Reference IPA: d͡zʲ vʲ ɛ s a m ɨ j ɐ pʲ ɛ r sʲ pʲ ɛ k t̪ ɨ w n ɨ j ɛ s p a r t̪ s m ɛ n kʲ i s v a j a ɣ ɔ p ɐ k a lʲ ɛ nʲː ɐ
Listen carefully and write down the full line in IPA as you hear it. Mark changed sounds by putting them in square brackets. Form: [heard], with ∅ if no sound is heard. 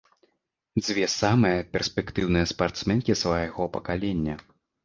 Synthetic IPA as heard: d͡zʲ vʲ ɛ s a m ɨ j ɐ pʲ ɛ r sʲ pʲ ɛ k t̪ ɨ w n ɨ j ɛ s p a r t̪ s m ɛ n kʲ i s v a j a ɣ ɔ p ɐ k a lʲ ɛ nʲː ɐ